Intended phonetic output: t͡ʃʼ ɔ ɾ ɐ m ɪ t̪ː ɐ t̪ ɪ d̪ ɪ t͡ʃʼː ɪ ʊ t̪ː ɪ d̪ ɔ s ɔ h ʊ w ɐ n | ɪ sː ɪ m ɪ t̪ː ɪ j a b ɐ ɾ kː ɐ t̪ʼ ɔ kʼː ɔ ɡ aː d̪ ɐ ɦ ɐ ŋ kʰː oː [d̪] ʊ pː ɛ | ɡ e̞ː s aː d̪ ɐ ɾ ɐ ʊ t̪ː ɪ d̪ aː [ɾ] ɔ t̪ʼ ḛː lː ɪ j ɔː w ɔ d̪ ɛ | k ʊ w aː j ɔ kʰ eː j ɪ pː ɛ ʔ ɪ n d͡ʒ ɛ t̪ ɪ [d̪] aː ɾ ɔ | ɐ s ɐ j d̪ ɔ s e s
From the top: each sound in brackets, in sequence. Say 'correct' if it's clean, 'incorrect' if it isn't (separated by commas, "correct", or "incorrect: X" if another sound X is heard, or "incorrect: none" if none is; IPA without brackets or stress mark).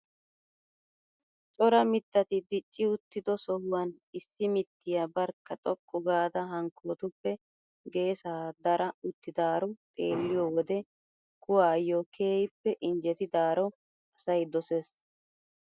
incorrect: t̪, correct, correct